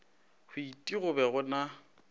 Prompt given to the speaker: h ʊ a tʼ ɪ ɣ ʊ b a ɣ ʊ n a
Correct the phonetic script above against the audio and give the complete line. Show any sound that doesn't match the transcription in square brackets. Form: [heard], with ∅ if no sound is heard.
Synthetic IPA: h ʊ [i] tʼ [i] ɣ ʊ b [ɛ] ɣ ʊ n a